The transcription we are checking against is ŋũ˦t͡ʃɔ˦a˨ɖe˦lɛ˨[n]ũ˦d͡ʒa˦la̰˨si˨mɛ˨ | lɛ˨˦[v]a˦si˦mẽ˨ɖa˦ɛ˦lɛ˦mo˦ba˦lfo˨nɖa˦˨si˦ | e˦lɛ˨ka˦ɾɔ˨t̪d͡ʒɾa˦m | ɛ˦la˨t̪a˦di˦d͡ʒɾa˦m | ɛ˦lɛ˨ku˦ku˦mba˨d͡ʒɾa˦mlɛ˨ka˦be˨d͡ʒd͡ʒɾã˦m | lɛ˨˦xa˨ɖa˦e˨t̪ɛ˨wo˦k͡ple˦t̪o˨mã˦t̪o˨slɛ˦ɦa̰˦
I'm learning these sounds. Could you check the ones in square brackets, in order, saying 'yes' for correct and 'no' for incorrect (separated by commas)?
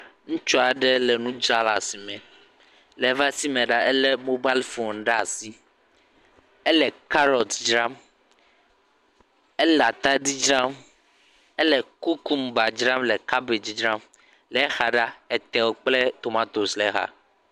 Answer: yes, yes